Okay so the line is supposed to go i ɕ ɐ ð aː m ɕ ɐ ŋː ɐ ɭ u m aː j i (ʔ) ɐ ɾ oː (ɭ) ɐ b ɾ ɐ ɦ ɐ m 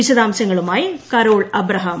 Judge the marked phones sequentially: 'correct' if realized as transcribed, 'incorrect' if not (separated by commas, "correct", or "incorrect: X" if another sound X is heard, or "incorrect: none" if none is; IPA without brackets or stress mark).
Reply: incorrect: k, correct